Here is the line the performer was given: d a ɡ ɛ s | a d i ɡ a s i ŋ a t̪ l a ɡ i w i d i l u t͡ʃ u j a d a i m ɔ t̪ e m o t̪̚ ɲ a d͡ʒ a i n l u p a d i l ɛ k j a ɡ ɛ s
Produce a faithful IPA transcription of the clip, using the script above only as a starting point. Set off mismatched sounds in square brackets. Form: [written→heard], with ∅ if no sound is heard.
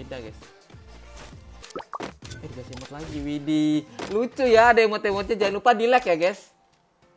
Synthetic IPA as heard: d a ɡ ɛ s | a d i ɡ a s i [ŋ→m] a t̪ l a ɡ i w i d i l u t͡ʃ u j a d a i m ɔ t̪ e m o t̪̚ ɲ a d͡ʒ a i n l u p a d i l ɛ k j a ɡ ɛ s